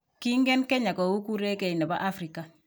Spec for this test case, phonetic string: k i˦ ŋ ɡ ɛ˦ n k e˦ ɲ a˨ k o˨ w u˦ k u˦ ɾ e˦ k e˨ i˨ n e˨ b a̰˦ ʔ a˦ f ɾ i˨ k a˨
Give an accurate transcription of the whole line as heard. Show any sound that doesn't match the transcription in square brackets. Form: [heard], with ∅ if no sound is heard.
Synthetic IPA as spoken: k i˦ ŋ ɡ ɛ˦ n k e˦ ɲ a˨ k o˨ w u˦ k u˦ ɾ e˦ k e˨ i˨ n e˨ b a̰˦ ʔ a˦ f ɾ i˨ k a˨